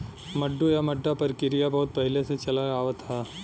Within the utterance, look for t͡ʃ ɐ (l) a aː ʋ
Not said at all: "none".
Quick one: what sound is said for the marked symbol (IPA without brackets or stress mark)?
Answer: l